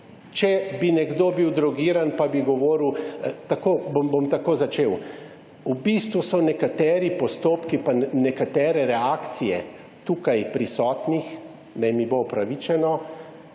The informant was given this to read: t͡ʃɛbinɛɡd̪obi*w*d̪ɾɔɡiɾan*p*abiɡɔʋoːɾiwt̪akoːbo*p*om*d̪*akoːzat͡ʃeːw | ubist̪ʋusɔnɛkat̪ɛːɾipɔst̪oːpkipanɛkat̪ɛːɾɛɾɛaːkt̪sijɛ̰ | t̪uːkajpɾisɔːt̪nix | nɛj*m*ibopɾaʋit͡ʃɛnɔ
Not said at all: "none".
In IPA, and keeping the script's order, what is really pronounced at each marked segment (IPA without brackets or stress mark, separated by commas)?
w, p, b, t̪, m